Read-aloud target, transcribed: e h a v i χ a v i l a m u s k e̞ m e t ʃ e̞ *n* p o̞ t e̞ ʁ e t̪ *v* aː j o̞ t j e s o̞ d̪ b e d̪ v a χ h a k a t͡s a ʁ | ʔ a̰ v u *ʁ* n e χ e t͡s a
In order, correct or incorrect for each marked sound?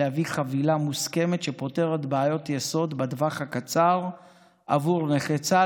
incorrect: none, incorrect: b, correct

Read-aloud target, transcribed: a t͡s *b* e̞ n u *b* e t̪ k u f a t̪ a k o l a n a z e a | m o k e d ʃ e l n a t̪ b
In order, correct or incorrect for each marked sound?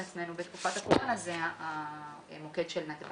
incorrect: m, correct

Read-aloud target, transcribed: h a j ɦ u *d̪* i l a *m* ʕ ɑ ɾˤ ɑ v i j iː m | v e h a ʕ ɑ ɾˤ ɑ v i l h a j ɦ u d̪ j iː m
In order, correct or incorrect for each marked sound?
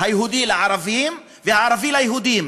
correct, incorrect: none

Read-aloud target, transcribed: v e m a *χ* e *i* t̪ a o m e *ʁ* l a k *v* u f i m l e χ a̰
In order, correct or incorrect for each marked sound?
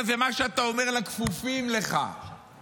incorrect: ʃ, incorrect: a, correct, incorrect: f

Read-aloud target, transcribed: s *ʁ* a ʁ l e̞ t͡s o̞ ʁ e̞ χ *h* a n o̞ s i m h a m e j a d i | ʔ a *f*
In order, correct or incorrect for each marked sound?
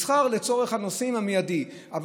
incorrect: χ, correct, incorrect: v

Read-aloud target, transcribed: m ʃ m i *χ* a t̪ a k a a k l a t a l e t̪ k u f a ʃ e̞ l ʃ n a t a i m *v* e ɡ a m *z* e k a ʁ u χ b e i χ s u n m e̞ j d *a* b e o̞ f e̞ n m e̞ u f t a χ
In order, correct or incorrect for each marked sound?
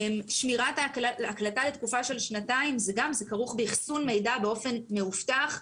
incorrect: ʁ, incorrect: z, correct, correct

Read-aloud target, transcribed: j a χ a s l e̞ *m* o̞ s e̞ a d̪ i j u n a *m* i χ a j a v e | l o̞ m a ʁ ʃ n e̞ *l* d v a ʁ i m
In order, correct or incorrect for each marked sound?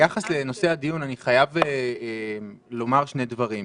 incorrect: n, incorrect: n, incorrect: none

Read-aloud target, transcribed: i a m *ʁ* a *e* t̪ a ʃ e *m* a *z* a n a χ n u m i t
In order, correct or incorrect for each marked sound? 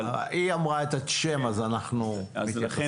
correct, correct, correct, correct

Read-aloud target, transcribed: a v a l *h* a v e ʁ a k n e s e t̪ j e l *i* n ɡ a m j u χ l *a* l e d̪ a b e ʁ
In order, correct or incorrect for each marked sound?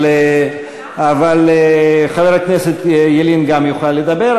incorrect: χ, correct, correct

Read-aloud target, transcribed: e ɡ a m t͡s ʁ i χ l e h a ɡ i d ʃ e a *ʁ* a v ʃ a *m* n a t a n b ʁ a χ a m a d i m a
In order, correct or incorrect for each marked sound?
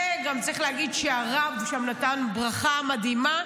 correct, correct

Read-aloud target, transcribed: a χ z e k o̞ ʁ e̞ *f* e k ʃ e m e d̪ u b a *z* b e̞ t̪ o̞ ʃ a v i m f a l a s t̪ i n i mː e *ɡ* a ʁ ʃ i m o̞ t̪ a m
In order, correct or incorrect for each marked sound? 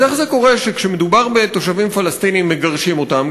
incorrect: ʃ, incorrect: ʁ, correct

